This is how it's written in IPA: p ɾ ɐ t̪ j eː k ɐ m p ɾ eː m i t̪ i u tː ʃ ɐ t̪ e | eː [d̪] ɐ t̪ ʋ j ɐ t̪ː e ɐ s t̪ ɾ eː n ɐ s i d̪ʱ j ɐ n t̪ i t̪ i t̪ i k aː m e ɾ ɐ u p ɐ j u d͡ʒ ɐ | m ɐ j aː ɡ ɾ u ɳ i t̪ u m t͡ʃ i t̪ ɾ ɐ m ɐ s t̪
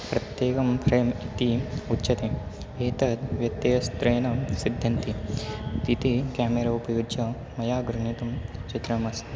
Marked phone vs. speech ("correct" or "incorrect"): incorrect